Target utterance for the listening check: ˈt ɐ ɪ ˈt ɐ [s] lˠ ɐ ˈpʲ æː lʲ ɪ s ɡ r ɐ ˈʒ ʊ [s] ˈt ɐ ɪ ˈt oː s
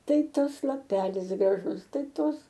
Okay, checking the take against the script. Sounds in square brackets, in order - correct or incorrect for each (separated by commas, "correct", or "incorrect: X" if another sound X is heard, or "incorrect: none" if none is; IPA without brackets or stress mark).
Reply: correct, correct